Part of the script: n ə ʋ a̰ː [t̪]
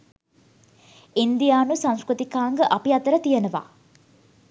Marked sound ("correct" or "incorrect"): incorrect